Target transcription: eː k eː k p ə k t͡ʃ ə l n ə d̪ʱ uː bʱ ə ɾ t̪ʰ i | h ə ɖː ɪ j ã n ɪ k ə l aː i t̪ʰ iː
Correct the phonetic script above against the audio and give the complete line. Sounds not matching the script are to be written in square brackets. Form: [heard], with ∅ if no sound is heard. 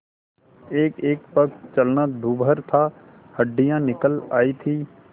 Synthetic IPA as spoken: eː k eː k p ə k t͡ʃ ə l n [a] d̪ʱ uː bʱ ə ɾ t̪ʰ [a] | h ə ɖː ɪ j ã n ɪ k ə l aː i t̪ʰ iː

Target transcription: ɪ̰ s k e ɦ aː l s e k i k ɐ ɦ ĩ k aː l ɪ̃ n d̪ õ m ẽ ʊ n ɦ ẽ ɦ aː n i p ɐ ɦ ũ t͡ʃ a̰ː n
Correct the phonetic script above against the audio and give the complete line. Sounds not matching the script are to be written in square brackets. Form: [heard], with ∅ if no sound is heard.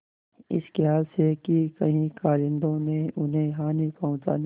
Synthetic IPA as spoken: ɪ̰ s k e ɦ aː l s e k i k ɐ ɦ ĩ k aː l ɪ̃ n d̪ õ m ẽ ʊ n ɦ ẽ ɦ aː n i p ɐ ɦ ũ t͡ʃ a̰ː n

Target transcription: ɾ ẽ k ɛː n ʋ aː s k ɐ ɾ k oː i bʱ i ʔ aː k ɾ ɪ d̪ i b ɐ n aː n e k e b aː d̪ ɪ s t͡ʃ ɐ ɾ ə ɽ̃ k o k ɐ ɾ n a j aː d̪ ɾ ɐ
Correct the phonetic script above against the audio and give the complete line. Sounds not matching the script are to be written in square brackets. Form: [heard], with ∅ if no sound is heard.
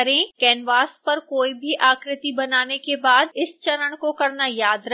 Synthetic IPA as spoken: ɾ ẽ k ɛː n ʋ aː s [p] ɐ ɾ k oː i bʱ i ʔ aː k ɾ ɪ [t̪] i b ɐ n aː n e k e b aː d̪ ɪ s t͡ʃ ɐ ɾ ə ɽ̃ k o k ɐ ɾ n a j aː d̪ ɾ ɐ

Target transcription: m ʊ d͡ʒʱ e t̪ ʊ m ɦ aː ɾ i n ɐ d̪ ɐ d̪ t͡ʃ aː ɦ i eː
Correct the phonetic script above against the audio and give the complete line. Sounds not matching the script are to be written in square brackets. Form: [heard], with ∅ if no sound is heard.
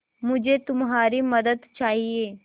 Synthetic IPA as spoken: m ʊ d͡ʒʱ e t̪ ʊ m ɦ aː ɾ i [m] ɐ d̪ [ə] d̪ t͡ʃ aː ɦ i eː

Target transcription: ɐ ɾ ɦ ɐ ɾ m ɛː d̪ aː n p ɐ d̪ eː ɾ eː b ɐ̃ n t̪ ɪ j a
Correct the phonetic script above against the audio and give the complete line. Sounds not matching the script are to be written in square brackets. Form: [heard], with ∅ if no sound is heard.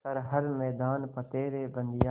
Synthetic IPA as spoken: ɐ ɾ ɦ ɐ ɾ m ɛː d̪ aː n p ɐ [t̪] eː ɾ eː b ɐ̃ n [d̪] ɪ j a

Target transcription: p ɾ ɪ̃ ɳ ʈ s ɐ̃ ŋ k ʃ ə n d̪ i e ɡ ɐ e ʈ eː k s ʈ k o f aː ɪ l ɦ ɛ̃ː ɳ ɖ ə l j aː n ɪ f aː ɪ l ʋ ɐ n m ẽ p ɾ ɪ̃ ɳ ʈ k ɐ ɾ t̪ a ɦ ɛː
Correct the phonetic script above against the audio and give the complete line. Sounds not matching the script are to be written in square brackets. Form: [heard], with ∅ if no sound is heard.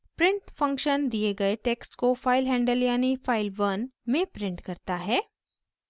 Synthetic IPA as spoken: p ɾ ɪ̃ ɳ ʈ [f] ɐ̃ ŋ k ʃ ə n d̪ i e ɡ ɐ e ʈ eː k s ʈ k o f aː ɪ l ɦ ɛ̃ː ɳ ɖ ə l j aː n [i] f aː ɪ l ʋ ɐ n m ẽ p ɾ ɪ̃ ɳ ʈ k ɐ ɾ t̪ a ɦ ɛː

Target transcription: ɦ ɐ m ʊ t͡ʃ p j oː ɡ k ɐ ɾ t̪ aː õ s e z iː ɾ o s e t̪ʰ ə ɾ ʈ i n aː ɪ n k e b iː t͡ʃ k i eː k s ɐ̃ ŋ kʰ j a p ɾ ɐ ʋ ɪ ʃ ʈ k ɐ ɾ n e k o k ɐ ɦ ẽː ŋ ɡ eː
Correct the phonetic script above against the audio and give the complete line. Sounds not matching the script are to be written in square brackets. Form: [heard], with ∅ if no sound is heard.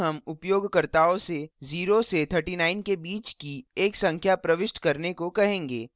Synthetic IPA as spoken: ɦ ɐ m ʊ [∅] p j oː ɡ k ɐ ɾ t̪ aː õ s e z iː ɾ o s e t̪ʰ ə ɾ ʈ i n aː ɪ n k e b iː t͡ʃ k i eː k s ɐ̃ ŋ kʰ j a p ɾ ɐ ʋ ɪ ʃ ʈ k ɐ ɾ n e k o k ɐ ɦ ẽː ŋ ɡ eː

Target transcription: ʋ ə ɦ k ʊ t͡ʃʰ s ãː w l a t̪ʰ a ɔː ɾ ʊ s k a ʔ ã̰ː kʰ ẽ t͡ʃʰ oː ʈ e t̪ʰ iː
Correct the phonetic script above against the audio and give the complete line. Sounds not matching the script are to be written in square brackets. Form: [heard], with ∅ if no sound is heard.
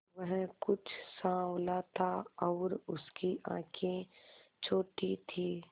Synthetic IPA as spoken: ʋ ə ɦ k ʊ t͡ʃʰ s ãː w l a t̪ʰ a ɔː ɾ ʊ s k [i] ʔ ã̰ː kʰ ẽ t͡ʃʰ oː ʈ [i] t̪ʰ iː

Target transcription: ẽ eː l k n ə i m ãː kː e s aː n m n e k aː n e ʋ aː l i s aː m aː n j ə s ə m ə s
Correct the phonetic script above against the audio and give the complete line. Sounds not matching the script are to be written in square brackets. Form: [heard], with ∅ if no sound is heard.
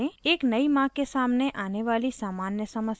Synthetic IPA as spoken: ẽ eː [∅] k n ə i m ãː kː e s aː [∅] m n e [ʔ] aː n e ʋ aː l i s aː m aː n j ə s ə m ə s

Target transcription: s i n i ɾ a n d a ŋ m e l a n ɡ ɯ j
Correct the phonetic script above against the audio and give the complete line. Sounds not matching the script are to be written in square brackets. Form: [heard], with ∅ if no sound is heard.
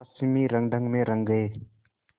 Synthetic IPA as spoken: s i [m] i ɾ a [ŋ] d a ŋ m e [ɾ] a [ŋ] ɡ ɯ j

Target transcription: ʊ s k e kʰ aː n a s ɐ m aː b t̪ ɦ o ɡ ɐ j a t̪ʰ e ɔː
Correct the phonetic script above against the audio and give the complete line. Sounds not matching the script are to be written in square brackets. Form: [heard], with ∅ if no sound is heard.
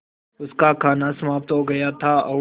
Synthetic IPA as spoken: ʊ s k [a] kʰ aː n a s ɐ m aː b t̪ ɦ o ɡ ɐ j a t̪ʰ [a] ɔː

